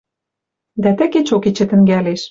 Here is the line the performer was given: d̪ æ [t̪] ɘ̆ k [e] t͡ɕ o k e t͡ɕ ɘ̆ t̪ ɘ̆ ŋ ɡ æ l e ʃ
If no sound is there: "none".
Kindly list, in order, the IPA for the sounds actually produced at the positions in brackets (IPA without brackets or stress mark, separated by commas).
t̪, e